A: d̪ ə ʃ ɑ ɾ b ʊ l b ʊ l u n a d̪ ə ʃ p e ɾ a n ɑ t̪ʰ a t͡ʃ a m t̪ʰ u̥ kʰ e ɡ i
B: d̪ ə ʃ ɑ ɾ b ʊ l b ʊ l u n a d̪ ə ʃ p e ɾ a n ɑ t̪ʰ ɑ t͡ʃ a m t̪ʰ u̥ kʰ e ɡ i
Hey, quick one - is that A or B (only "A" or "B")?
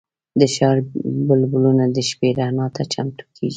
A